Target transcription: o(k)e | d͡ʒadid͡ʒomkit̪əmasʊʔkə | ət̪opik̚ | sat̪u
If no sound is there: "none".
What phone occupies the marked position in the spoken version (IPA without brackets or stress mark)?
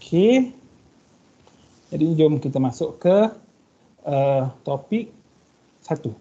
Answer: kʰ